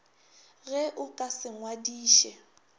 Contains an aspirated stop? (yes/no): no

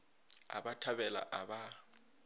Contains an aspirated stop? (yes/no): yes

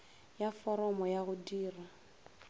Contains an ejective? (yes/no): no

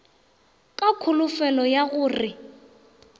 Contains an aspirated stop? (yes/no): yes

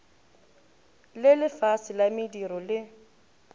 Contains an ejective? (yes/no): no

